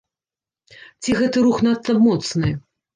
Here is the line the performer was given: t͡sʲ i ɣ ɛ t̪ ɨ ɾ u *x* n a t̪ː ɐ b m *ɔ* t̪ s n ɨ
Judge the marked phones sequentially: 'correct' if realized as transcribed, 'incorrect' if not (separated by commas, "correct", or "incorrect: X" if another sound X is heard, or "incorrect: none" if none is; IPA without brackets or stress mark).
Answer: correct, correct